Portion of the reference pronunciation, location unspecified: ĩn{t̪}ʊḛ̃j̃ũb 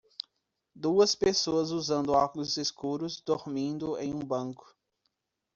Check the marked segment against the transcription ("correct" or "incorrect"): incorrect